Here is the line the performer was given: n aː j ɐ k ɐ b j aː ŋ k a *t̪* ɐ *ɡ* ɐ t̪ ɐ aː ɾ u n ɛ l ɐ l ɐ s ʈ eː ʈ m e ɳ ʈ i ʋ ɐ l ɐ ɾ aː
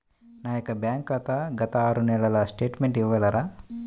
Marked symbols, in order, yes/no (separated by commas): yes, yes